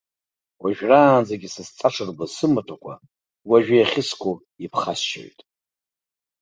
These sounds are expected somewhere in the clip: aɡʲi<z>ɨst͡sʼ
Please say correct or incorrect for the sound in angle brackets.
incorrect